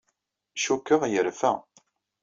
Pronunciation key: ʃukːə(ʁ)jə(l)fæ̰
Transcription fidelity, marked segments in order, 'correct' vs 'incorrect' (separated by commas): correct, incorrect